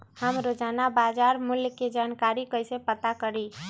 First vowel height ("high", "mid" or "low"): mid